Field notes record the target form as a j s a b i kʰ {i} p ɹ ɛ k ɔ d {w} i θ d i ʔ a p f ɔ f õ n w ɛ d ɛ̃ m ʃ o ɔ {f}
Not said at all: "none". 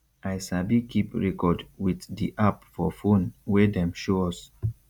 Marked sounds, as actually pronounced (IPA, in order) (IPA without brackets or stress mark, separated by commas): i, w, s